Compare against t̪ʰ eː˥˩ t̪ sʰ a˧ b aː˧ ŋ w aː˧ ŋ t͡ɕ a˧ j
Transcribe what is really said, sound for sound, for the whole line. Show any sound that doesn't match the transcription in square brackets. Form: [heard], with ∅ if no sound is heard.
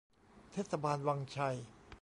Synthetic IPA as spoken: t̪ʰ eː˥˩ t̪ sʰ a˧ b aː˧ [n] w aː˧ ŋ [t͡ɕʰ] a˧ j